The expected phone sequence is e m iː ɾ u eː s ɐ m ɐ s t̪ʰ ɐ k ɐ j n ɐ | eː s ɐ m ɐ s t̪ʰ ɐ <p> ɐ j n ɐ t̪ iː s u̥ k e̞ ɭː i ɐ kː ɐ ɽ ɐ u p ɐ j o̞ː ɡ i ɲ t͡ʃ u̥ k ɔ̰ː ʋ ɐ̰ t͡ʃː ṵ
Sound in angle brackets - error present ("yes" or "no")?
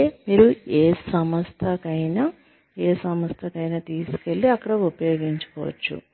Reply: yes